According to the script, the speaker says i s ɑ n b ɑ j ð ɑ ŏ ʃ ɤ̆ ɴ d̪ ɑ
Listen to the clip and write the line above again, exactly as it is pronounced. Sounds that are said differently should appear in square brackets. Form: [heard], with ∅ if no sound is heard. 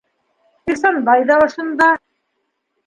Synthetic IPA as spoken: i s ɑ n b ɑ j ð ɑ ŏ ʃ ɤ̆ [n] d̪ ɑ

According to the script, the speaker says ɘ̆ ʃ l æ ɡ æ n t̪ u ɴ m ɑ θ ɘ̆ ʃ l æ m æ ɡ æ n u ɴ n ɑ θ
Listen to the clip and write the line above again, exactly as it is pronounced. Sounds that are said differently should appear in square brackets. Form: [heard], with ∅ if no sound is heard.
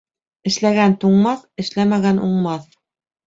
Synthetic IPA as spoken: ɘ̆ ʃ l æ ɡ æ n t̪ u ɴ m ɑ θ ɘ̆ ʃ l æ m æ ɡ æ n u ɴ [m] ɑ θ

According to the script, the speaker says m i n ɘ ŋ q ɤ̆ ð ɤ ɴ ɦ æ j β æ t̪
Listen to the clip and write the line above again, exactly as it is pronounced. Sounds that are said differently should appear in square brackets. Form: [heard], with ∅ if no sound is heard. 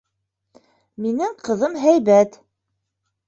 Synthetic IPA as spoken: m i n ɘ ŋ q ɤ̆ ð ɤ [m] ɦ æ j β æ t̪

